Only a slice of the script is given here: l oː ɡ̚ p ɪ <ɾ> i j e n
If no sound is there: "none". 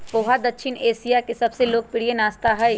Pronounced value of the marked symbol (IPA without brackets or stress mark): ɽ